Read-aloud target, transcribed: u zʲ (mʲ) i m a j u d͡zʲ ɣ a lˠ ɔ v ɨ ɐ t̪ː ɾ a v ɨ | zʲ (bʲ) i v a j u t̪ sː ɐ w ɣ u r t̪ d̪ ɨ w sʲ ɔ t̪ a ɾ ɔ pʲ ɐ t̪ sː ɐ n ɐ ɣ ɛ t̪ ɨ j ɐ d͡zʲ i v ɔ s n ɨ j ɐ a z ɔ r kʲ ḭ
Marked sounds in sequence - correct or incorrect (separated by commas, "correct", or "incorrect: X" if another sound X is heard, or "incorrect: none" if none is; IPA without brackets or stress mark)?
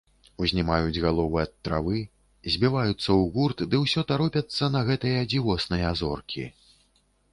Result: incorrect: nʲ, correct